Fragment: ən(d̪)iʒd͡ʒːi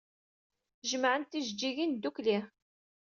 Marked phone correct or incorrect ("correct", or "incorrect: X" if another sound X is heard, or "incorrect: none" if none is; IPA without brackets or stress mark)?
incorrect: t̪